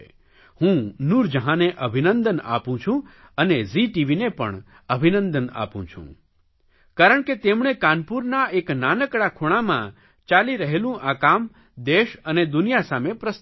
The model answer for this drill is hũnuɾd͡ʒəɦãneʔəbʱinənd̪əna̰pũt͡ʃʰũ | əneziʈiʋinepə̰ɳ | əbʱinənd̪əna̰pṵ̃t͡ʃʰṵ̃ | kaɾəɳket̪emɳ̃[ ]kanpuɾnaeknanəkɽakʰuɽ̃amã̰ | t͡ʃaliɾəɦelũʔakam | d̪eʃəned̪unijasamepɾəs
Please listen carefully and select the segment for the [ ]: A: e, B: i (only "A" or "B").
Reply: A